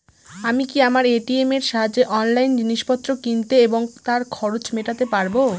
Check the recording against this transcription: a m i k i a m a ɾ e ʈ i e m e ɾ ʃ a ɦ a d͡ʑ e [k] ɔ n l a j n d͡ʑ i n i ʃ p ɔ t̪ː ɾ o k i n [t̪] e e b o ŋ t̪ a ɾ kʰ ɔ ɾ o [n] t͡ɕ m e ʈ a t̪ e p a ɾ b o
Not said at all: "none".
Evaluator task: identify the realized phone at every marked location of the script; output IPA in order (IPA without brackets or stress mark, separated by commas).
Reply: ʔ, t̪, none